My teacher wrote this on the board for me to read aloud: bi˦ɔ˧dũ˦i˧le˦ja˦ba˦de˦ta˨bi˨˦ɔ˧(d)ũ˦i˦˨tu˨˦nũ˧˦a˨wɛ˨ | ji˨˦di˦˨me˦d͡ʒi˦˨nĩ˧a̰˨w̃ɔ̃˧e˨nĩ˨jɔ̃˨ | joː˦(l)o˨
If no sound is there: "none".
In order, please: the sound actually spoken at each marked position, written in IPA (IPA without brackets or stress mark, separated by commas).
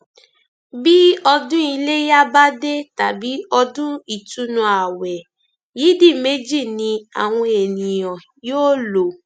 d, l